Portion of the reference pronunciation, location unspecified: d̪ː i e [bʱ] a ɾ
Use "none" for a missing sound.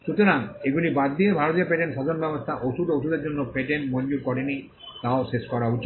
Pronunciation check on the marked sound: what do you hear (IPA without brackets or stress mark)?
bʱ